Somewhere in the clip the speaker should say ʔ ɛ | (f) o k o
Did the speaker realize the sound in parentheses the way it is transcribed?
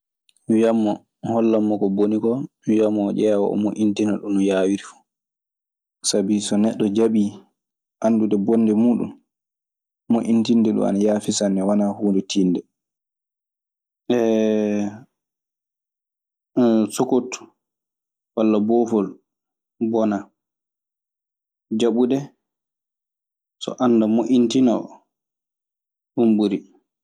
no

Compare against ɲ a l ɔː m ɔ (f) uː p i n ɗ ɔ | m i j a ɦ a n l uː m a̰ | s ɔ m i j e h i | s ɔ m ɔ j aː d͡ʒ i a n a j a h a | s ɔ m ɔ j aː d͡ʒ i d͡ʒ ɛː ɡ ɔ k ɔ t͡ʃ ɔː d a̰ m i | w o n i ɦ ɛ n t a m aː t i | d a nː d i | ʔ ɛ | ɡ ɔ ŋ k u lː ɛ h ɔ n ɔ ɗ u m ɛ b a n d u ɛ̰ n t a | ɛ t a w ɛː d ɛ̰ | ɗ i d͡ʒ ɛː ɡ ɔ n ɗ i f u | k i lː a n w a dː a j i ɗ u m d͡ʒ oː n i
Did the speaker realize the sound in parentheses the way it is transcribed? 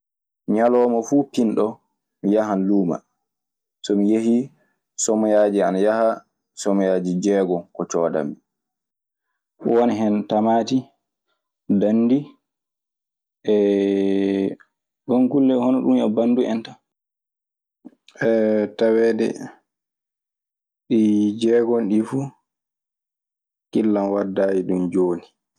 yes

